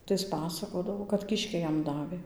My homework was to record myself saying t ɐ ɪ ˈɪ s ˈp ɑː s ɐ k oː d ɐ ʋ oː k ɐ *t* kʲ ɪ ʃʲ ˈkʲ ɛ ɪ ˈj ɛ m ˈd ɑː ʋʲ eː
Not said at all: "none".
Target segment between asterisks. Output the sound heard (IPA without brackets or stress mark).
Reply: t